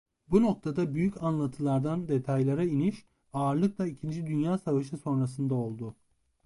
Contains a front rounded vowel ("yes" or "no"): yes